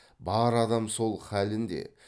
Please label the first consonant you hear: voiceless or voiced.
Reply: voiced